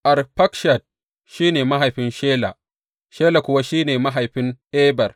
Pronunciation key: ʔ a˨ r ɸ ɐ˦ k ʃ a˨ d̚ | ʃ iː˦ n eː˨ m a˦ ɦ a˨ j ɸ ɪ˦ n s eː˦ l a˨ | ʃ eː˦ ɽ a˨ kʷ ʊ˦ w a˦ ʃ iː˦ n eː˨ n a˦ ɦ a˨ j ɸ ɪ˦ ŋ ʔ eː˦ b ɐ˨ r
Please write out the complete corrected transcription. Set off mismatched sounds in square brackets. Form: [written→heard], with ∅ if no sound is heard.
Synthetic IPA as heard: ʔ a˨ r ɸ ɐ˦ k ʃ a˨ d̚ | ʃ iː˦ n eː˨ m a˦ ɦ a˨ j ɸ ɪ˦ n [s→ʃ] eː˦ l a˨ | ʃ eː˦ [ɽ→l] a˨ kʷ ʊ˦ w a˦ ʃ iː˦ n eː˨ [n→m] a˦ ɦ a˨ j ɸ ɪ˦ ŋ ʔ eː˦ b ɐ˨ r

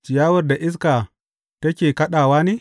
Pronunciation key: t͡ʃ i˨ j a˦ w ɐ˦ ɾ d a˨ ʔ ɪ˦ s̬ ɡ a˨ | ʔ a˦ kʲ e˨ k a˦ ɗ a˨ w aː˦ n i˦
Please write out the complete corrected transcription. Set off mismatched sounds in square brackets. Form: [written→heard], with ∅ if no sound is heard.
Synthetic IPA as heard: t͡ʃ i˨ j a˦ w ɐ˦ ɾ d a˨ ʔ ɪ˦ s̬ [ɡ→k] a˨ | [ʔ→t] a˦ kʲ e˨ k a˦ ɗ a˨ w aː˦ n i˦

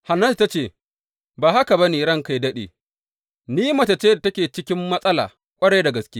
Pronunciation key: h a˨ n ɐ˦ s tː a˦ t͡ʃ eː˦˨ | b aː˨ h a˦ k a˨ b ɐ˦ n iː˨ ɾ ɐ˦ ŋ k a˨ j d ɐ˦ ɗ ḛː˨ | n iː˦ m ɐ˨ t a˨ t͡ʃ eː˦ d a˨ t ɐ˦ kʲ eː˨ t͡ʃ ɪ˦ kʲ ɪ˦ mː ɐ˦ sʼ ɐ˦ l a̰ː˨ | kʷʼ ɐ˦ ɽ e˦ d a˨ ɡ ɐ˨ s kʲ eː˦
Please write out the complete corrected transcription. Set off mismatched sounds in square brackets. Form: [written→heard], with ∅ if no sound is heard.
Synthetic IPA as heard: h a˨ n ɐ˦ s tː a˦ t͡ʃ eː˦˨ | b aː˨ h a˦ k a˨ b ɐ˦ n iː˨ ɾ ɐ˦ ŋ k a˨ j d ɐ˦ ɗ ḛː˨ | n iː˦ m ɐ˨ t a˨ t͡ʃ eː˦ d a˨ t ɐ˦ kʲ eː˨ t͡ʃ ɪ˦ kʲ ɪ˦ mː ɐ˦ sʼ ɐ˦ l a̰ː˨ | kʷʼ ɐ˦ ɽ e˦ d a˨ ɡ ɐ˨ s kʲ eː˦

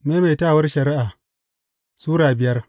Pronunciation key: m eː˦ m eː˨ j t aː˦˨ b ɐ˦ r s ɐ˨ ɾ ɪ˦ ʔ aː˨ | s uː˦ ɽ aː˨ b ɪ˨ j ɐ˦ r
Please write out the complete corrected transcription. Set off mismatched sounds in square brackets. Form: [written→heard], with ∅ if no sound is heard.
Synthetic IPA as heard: m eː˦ m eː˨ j t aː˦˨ [b→w] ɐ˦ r [s→ʃ] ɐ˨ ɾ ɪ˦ ʔ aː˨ | s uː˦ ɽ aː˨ b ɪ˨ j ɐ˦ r

